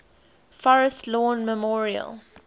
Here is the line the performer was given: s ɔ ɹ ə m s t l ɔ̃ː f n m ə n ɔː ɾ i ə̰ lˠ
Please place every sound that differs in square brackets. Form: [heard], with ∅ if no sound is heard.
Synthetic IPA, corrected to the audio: [f] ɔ ɹ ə [∅] s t l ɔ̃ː [∅] n m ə [m] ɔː [ɹ] i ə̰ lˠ